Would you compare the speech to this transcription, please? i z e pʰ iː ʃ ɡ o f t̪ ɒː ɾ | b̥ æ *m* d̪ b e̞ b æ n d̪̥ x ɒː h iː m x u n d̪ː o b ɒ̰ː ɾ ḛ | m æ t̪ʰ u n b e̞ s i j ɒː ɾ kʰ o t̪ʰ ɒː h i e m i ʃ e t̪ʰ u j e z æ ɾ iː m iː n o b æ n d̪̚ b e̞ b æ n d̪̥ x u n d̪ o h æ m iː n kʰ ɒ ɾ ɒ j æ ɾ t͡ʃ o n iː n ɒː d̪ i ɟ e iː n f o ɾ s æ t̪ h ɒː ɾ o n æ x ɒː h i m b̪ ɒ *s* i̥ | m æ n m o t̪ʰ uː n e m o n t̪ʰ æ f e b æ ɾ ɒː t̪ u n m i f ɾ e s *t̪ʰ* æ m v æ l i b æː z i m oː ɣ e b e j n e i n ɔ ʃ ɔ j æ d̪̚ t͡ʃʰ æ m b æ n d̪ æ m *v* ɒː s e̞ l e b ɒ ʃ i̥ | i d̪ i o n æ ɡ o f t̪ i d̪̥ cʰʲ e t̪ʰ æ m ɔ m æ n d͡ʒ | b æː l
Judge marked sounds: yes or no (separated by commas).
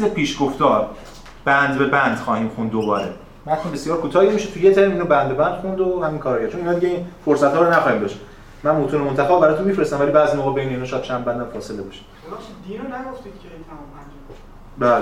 no, no, no, no